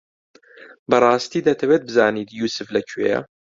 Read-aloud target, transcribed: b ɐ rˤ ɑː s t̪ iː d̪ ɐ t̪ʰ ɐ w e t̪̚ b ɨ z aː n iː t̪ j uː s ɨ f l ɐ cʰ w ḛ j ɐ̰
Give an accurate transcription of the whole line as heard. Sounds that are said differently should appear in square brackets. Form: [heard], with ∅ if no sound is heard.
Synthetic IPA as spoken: b ɐ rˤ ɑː s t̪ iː d̪ ɐ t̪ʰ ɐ w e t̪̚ b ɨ z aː n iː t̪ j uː s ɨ f l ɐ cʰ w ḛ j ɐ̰